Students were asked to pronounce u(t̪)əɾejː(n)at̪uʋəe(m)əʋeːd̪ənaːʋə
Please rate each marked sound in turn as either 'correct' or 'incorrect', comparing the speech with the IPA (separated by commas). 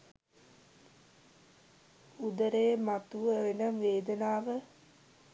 incorrect, incorrect, incorrect